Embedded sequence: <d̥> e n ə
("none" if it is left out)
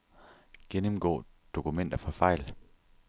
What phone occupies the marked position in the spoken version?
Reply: ɡ̥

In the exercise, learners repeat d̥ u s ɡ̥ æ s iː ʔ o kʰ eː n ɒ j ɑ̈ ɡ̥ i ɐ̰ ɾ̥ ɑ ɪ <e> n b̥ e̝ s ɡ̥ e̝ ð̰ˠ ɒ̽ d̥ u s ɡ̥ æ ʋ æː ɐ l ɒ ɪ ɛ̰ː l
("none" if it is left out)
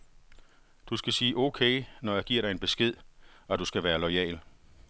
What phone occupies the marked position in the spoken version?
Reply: e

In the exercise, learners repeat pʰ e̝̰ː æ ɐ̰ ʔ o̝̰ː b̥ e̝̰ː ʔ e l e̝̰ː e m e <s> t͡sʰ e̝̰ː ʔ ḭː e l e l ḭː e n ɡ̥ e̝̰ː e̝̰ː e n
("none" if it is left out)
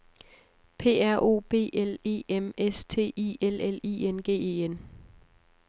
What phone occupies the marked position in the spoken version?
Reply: s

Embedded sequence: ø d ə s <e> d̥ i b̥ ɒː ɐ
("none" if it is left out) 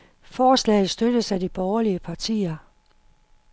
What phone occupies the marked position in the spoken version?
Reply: æ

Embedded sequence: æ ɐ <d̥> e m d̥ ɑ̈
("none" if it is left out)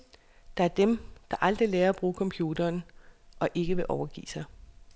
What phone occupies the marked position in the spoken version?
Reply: d̥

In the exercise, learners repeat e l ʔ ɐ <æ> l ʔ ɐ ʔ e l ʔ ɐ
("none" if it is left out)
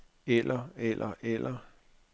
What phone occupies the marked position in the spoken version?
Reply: e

